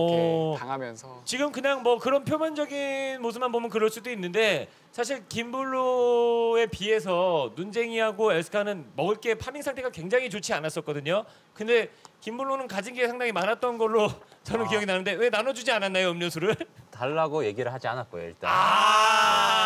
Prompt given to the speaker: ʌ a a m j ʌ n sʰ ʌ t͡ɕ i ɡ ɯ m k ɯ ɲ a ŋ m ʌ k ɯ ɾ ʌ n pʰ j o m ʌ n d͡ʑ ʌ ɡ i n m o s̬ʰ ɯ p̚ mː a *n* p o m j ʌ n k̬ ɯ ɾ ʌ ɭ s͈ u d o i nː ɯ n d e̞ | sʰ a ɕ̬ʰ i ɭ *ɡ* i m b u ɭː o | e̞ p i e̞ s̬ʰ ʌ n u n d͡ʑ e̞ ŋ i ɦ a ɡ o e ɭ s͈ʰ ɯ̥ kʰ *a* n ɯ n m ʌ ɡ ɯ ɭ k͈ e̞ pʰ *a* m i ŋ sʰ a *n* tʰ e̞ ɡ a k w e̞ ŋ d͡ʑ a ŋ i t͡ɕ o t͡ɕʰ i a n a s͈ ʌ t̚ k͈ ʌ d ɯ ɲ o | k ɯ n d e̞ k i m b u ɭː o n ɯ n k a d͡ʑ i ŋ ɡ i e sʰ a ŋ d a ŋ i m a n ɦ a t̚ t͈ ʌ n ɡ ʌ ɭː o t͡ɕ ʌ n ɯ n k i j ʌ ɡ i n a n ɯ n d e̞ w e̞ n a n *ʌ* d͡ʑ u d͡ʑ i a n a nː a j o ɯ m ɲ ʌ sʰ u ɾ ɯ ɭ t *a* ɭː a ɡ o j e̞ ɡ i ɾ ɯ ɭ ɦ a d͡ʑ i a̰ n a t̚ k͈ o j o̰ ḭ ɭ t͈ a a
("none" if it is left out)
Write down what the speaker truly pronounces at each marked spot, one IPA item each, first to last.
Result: n, k, a, a, ŋ, ʌ, a

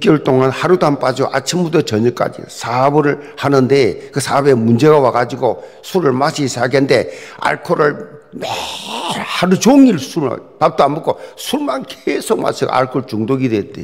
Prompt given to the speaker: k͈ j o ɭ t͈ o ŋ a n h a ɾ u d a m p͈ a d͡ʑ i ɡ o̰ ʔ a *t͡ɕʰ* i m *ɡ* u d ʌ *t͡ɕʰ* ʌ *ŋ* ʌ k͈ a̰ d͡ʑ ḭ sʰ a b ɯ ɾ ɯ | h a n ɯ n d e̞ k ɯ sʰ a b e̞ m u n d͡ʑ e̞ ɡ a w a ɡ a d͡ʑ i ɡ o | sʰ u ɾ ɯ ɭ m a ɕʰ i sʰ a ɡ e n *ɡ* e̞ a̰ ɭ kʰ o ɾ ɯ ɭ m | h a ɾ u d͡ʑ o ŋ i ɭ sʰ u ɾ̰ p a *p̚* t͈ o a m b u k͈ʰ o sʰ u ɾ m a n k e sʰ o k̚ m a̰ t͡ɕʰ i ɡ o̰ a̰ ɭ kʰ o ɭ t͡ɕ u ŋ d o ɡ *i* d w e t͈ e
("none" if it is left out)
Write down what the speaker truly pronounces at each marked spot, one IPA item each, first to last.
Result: t͡ɕʰ, b, t͡ɕ, ɲ, d, p̚, i

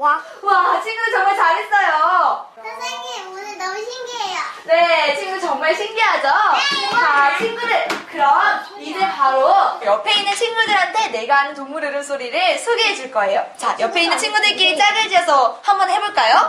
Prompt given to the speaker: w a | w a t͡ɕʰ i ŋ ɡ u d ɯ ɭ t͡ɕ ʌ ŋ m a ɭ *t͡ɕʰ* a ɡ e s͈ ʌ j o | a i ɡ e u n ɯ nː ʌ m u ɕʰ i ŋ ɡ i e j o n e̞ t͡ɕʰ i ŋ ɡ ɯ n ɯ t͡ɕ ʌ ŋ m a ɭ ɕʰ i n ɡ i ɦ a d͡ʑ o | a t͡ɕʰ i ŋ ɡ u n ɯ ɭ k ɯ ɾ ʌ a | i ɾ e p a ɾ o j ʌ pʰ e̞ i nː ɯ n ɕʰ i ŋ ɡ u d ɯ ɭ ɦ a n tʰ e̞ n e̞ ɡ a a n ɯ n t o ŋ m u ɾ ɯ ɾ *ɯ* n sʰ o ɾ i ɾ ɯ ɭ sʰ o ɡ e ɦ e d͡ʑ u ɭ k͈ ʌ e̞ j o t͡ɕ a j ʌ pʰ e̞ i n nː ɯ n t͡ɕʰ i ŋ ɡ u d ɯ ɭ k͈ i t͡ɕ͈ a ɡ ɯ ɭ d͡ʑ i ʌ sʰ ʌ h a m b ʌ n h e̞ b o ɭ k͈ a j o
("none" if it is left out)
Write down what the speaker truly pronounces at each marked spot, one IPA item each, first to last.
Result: t͡ɕ, ɯ

